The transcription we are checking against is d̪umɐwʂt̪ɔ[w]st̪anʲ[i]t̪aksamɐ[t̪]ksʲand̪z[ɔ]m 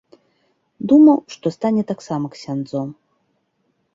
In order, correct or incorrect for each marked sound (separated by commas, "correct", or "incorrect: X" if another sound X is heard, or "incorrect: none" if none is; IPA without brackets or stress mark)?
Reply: incorrect: none, incorrect: ɛ, incorrect: none, correct